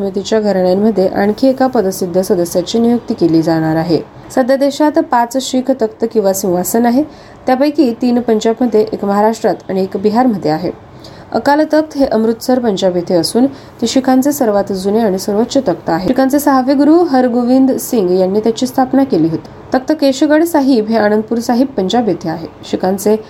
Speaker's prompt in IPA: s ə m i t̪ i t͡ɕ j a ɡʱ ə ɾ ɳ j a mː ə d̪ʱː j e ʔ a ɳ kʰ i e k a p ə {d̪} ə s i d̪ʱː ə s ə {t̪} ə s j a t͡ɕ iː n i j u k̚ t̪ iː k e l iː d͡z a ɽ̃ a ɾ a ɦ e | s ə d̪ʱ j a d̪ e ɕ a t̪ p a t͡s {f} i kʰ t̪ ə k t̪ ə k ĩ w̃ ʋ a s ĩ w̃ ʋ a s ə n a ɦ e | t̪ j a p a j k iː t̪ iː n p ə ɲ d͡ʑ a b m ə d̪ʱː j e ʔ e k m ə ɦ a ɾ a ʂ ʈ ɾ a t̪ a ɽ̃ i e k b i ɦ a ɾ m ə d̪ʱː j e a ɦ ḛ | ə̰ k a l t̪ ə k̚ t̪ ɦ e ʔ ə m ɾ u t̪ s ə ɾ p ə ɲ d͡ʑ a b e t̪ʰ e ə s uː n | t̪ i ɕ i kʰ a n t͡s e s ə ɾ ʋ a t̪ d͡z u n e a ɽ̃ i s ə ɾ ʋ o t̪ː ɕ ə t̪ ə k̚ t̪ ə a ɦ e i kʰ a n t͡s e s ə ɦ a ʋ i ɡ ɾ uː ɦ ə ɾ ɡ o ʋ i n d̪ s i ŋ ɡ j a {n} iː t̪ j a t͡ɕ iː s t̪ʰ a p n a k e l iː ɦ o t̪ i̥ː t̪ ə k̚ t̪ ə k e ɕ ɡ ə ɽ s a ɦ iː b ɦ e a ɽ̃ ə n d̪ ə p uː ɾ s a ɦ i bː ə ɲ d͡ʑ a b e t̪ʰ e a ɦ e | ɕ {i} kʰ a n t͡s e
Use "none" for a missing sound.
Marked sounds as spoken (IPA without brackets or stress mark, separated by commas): d̪, d̪, ɕ, nː, i